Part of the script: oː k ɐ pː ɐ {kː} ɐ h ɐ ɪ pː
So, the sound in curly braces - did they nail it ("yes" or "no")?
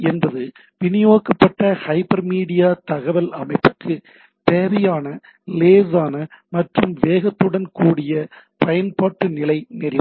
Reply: no